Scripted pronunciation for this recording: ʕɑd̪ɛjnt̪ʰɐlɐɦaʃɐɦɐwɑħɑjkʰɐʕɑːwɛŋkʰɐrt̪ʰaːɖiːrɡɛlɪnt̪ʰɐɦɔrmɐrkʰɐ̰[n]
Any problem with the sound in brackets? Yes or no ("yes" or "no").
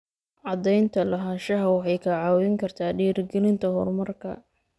yes